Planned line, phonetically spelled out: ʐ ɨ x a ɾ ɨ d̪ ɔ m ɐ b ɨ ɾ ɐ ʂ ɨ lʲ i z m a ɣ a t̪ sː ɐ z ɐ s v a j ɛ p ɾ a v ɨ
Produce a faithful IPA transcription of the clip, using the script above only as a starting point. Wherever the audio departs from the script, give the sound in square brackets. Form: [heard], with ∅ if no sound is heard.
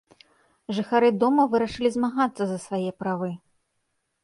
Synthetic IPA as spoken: ʐ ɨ x a ɾ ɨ d̪ ɔ m ɐ [v] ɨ ɾ ɐ ʂ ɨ lʲ i z m a ɣ a t̪ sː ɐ z ɐ s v a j ɛ p ɾ a v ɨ